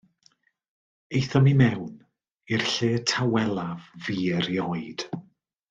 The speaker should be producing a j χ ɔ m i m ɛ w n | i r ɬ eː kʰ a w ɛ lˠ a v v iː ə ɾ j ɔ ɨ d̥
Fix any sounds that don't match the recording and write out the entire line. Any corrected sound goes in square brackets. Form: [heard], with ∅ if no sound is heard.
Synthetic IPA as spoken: [e] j [θ] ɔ m i m ɛ w n | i r ɬ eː [tʰ] a w ɛ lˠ a v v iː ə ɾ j ɔ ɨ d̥